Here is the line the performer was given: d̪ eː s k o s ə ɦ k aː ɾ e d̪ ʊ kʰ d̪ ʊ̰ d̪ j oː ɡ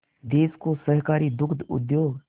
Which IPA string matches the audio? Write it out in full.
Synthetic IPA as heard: d̪ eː s k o s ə ɦ k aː ɾ i d̪ ʊ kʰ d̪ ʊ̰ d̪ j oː ɡ